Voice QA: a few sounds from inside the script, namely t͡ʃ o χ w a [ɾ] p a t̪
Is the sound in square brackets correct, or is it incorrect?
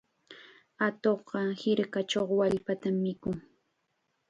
incorrect